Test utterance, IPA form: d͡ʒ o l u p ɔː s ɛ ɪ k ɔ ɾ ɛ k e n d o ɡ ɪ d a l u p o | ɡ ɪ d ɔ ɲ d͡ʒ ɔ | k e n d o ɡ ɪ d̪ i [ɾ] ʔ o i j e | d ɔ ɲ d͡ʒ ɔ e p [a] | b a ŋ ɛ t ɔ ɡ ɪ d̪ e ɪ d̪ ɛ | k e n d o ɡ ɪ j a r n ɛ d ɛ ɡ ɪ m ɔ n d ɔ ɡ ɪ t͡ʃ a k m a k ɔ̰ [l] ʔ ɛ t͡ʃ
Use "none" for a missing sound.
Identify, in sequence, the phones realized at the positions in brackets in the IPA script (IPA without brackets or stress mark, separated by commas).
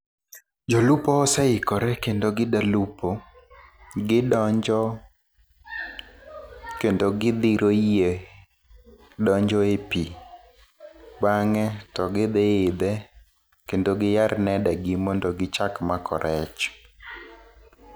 ɾ, i, ɾ